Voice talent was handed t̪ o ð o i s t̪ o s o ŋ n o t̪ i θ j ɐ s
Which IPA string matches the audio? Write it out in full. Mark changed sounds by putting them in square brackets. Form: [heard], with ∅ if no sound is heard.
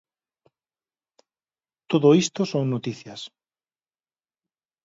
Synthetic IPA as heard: t̪ o ð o i s t̪ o s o ŋ n o t̪ i θ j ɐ s